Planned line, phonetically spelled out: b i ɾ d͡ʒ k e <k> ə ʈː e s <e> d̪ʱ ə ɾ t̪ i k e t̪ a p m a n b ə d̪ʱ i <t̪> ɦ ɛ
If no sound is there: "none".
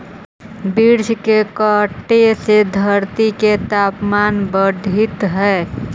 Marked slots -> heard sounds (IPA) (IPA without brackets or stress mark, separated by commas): k, e, t̪